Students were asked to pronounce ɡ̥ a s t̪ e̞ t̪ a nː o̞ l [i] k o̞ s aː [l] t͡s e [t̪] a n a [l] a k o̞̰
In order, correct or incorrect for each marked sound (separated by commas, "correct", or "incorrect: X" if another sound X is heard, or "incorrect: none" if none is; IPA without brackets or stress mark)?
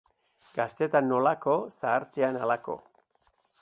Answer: incorrect: a, incorrect: ɾ, incorrect: none, correct